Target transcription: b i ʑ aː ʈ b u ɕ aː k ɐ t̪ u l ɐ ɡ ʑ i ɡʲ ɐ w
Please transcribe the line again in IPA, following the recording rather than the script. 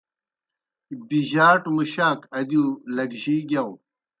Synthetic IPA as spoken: b i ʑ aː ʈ m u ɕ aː k ɐ d̪ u l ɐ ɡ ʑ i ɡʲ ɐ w